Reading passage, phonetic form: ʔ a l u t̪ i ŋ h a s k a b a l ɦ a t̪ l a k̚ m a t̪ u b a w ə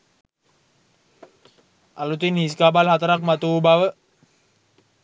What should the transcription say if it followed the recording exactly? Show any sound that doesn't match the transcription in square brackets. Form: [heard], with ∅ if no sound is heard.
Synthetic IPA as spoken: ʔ a l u t̪ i [n] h [i] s k a b a l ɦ a t̪ [ɾ] a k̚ m a t̪ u b a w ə